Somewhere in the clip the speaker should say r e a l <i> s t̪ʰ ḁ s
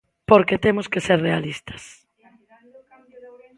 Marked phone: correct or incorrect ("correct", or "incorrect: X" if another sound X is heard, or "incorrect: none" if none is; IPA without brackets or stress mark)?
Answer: correct